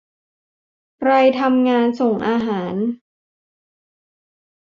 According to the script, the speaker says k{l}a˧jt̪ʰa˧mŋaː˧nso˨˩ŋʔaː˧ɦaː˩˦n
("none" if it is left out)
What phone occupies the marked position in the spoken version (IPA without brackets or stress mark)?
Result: ɾ